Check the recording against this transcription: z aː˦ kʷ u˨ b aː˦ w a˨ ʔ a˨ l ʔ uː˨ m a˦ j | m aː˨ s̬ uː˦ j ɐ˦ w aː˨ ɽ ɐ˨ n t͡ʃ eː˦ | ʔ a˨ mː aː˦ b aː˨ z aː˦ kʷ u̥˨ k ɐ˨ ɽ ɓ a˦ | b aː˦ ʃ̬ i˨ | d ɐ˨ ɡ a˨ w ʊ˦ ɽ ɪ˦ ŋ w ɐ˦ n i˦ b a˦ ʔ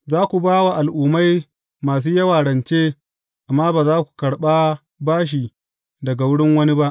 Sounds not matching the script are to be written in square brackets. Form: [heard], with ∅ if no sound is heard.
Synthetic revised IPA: z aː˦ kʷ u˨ b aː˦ w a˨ ʔ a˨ l ʔ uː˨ m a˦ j | m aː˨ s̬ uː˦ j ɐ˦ w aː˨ ɽ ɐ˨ n t͡ʃ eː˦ | ʔ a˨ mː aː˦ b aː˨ z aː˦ kʷ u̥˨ k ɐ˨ ɽ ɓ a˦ | b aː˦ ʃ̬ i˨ | d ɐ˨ ɡ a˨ w ʊ˦ ɽ ɪ˦ ŋ w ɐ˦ n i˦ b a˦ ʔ

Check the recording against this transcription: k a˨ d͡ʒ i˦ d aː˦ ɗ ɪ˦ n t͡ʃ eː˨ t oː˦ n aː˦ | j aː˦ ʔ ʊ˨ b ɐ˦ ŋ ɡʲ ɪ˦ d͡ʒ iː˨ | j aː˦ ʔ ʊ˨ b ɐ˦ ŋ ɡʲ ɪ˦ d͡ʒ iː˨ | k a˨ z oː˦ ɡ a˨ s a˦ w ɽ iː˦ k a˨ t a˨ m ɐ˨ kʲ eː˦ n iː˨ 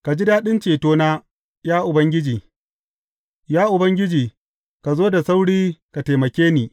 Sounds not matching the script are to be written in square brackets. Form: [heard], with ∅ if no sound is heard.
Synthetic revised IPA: k a˨ d͡ʒ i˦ d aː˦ ɗ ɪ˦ n t͡ʃ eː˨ t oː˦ n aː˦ | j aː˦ ʔ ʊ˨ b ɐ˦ ŋ ɡʲ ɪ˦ d͡ʒ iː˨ | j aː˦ ʔ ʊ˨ b ɐ˦ ŋ ɡʲ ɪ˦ d͡ʒ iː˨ | k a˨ z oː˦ [d] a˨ s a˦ w ɽ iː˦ k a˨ t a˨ m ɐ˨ kʲ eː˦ n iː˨

